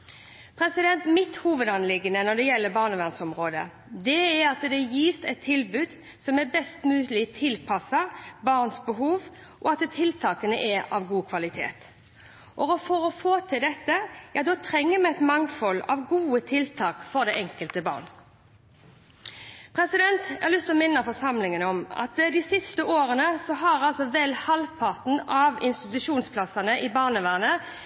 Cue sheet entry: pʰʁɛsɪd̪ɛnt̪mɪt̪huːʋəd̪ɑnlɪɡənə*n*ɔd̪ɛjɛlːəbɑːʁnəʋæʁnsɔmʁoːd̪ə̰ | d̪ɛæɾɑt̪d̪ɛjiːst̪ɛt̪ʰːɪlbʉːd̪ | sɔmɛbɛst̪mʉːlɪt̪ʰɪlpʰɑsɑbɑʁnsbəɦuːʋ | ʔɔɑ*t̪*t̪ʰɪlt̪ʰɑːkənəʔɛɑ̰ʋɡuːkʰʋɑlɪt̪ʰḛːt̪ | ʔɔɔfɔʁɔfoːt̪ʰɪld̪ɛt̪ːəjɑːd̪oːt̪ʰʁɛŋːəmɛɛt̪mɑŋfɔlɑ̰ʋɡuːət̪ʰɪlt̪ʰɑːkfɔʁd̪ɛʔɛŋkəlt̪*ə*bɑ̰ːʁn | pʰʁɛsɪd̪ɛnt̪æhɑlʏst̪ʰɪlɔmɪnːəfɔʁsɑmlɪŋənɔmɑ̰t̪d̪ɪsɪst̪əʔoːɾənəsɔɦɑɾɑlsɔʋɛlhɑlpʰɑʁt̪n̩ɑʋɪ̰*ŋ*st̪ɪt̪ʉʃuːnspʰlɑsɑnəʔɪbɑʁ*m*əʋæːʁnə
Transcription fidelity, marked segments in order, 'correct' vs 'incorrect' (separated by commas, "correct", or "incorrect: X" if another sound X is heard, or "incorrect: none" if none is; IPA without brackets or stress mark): correct, correct, correct, incorrect: n, incorrect: n